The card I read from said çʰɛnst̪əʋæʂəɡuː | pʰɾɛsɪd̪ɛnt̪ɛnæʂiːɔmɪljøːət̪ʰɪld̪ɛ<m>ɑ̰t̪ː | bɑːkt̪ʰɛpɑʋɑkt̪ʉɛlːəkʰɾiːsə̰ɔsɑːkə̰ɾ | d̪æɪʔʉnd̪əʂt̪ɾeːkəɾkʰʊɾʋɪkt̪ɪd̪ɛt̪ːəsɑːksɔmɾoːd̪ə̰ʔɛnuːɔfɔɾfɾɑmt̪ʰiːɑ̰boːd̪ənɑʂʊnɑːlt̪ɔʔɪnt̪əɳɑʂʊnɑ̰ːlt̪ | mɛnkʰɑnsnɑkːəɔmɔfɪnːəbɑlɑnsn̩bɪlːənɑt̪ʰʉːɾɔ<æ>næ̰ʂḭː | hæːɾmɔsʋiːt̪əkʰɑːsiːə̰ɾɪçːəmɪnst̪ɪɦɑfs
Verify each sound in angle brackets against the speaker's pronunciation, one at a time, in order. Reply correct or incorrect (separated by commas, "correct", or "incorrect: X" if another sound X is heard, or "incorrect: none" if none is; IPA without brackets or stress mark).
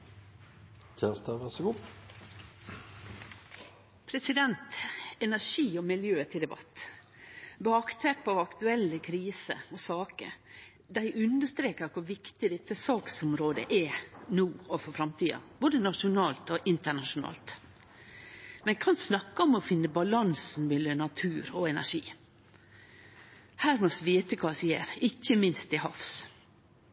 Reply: incorrect: b, incorrect: ɛ